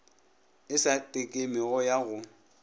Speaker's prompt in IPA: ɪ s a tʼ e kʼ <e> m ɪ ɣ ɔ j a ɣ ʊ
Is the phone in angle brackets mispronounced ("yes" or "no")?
no